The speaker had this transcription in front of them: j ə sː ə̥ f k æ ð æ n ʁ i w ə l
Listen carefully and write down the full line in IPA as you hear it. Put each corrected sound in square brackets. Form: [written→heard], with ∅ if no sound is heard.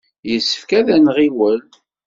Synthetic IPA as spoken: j ə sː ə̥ f k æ ð æ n ʁ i w ə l